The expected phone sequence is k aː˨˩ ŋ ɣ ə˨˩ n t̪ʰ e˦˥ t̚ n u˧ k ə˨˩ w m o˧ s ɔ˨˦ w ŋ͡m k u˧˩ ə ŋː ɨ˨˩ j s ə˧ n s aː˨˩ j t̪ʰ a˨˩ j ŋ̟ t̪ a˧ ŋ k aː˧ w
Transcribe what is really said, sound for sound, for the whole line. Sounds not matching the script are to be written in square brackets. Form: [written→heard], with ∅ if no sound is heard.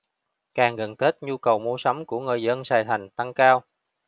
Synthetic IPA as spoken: k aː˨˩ ŋ ɣ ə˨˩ n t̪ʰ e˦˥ t̚ [n→ɲ] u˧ k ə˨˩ w m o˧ s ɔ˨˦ w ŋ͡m k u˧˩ ə [ŋː→ŋ] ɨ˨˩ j [s→z] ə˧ n s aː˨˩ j t̪ʰ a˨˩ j ŋ̟ t̪ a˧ ŋ k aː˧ w